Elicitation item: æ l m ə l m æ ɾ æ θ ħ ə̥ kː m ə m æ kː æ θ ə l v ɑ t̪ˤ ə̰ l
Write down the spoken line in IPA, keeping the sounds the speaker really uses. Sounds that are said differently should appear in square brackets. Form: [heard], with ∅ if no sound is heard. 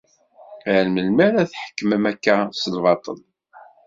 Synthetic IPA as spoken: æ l m ə l m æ ɾ æ θ ħ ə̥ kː m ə m æ kː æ [s] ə l v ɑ t̪ˤ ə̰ l